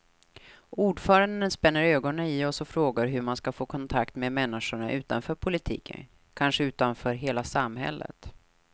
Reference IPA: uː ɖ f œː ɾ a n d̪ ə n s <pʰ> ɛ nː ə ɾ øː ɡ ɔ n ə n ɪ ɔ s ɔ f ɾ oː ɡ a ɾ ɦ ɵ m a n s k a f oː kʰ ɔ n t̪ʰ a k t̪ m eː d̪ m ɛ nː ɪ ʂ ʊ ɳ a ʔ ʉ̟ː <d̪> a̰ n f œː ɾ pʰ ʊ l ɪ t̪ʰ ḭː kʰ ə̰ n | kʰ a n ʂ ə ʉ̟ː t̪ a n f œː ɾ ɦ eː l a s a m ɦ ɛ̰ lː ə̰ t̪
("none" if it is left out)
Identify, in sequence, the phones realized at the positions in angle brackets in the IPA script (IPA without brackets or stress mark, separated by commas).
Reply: p, t̪